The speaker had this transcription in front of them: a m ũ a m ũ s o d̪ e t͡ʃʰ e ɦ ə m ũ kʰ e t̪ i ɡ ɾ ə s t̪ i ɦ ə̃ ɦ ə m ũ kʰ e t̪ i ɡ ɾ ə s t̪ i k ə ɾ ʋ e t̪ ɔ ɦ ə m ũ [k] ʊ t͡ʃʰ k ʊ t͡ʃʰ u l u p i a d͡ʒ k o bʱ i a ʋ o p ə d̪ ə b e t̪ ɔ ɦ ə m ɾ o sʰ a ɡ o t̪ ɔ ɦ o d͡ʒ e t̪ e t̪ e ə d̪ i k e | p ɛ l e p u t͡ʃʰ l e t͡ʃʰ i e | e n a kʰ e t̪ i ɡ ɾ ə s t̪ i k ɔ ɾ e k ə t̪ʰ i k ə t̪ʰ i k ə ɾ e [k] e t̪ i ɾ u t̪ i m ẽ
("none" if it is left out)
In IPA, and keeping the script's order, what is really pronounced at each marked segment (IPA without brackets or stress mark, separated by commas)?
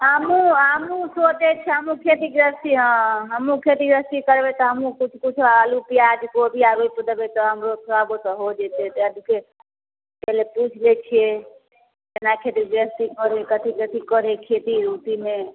k, kʰ